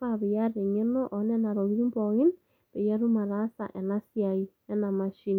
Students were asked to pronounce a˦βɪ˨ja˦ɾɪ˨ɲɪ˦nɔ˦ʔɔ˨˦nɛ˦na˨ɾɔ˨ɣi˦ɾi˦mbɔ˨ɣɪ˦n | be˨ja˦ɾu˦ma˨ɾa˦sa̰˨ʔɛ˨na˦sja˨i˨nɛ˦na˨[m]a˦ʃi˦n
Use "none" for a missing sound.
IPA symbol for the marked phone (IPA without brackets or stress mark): m